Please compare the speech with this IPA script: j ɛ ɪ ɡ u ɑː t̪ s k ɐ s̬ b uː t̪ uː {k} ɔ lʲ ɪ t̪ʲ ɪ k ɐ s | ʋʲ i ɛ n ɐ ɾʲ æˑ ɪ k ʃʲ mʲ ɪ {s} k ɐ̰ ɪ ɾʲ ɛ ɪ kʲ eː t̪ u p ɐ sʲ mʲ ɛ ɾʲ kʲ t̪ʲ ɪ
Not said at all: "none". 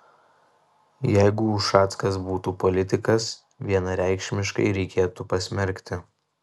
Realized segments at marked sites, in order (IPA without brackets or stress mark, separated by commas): p, ʃ